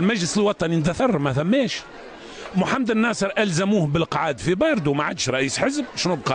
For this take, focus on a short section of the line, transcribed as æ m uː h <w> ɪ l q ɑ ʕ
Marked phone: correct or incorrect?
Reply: incorrect